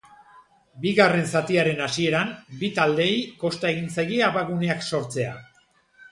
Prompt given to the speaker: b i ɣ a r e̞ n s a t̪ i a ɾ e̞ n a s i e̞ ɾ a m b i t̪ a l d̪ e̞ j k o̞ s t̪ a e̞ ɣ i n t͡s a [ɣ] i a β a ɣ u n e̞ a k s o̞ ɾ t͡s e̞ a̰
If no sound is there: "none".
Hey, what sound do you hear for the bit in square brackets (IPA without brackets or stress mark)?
ɣ